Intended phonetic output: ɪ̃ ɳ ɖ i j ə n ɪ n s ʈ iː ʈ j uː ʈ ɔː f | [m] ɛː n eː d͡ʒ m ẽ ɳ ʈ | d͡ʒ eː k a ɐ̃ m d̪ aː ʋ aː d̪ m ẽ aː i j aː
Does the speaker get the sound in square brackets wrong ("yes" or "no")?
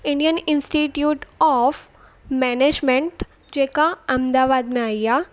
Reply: no